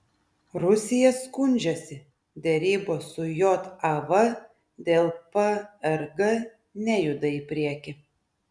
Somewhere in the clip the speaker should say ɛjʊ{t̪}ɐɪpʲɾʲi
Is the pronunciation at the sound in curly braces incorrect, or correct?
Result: incorrect